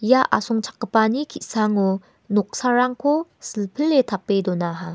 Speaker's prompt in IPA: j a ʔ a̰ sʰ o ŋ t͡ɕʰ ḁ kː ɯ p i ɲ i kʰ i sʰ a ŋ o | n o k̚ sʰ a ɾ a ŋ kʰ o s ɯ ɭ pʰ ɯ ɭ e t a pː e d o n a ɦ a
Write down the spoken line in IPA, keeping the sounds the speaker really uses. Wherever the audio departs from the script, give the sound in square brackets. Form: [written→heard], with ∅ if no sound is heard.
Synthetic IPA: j a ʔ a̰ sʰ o ŋ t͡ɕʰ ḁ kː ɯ p [i→a] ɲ i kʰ i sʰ a ŋ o | n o k̚ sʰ a ɾ a ŋ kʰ o s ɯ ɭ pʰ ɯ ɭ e t a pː e d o n a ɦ a